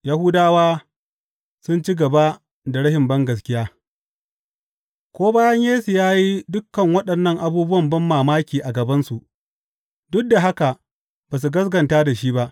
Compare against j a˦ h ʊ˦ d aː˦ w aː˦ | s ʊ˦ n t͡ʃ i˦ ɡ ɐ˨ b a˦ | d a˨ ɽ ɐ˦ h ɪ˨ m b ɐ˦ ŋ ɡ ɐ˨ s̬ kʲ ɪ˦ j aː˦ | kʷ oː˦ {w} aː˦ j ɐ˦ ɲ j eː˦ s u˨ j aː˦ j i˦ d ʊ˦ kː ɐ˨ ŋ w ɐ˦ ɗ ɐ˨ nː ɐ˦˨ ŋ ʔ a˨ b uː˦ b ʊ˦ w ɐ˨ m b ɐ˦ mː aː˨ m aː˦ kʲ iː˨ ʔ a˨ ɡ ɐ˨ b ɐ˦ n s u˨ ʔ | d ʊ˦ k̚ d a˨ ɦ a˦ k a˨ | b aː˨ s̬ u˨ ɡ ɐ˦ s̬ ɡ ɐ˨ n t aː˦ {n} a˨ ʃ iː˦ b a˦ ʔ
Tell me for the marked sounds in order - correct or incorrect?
incorrect: b, incorrect: d

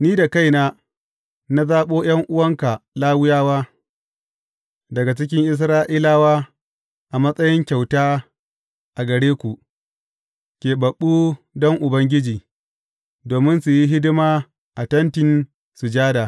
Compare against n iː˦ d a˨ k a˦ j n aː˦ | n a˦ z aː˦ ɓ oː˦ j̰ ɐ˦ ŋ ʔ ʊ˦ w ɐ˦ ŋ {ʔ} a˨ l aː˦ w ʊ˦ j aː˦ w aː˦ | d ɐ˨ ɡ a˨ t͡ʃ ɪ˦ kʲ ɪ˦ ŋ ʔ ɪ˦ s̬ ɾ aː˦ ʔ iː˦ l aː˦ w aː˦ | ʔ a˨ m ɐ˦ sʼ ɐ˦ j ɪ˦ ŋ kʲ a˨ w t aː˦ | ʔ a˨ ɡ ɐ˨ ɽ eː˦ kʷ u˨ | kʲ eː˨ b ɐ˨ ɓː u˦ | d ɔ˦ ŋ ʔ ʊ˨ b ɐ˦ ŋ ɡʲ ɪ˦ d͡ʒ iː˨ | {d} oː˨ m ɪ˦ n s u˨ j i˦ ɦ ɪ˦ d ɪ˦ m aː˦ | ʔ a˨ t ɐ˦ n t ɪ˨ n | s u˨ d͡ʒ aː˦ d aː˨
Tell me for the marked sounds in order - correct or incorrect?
incorrect: k, correct

